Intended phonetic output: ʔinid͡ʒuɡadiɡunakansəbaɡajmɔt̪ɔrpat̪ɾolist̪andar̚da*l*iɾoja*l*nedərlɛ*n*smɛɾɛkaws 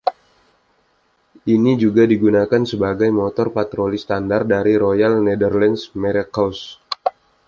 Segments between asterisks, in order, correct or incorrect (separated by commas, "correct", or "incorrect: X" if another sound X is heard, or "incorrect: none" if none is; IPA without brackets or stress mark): incorrect: ɾ, correct, correct